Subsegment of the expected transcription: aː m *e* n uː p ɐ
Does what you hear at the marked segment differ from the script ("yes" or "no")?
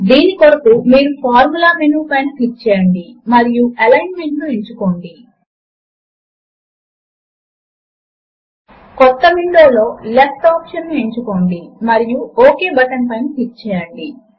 no